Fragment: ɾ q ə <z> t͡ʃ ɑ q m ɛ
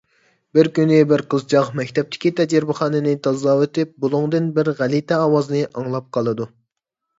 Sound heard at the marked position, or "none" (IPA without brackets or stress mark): z